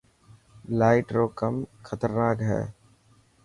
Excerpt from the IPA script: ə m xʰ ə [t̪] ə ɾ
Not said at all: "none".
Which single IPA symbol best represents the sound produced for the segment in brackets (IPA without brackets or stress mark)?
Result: t̪